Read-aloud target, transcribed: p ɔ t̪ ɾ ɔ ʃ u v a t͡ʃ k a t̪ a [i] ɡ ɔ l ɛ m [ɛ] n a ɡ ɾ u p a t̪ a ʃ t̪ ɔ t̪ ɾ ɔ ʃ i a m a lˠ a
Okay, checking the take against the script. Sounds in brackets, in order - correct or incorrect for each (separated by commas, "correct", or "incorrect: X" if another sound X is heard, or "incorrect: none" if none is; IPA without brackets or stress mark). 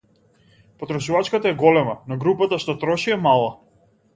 incorrect: ɛ, incorrect: a